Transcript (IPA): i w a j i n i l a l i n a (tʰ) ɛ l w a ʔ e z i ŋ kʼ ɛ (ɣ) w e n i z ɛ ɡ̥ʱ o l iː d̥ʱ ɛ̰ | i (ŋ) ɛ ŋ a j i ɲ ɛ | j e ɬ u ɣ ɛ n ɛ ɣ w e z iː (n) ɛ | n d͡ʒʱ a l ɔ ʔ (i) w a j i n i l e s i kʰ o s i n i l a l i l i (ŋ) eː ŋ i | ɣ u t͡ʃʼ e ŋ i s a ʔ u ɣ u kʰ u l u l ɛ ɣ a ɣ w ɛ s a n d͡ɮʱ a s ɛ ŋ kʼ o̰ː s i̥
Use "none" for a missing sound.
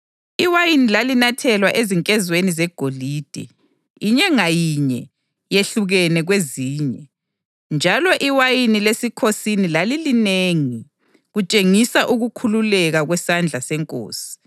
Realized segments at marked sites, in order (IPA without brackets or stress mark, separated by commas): tʰ, z, ɲ, ɲ, i, n